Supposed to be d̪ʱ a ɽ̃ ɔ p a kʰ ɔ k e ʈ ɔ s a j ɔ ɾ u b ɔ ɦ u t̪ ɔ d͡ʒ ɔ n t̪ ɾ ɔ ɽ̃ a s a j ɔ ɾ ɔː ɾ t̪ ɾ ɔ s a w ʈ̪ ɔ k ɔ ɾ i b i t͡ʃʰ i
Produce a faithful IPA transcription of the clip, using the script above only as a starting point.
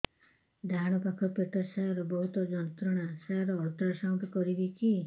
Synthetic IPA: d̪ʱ a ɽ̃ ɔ p a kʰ ɔ p e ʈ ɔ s a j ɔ ɾ ɔ b ɔ ɦ u t̪ ɔ d͡ʒ ɔ n t̪ ɾ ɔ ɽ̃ a s a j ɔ ɾ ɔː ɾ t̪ ɾ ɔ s a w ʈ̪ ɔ k ɔ ɾ i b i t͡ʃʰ i